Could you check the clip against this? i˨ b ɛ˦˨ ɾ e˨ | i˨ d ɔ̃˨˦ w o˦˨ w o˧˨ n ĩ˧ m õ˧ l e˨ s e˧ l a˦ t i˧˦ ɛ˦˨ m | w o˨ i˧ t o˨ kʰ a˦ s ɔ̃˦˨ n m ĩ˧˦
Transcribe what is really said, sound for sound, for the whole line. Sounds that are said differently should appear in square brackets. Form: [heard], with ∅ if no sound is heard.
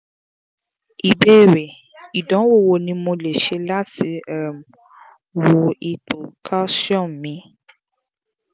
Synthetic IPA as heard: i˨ b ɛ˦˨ ɾ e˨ | i˨ d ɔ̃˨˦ w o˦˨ w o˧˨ n ĩ˧ m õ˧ l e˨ [ʃ] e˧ l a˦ t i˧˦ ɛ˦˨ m | w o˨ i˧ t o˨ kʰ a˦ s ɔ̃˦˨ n m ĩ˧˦